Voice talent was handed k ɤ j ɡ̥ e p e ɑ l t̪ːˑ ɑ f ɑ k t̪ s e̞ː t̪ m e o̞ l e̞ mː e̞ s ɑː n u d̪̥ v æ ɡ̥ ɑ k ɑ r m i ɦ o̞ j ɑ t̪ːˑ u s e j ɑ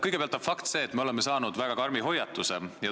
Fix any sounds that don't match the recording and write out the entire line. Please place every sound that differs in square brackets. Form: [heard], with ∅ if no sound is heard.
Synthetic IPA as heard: k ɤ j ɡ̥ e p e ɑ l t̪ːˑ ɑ f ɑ k t̪ s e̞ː t̪ m e o̞ l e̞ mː e̞ s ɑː n u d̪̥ v æ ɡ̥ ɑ k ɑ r m i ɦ o̞ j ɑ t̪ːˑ u s e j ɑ